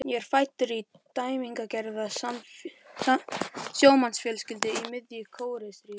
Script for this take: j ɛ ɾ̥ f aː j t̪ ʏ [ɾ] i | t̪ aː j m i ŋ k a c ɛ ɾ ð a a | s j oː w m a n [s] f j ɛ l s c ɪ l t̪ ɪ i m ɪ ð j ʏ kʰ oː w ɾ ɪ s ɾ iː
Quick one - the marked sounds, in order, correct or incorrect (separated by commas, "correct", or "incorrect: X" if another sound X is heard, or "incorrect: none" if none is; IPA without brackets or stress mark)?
correct, correct